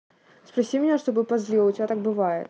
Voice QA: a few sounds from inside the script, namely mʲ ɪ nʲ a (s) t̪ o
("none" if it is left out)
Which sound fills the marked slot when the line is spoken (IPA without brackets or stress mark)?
ʂ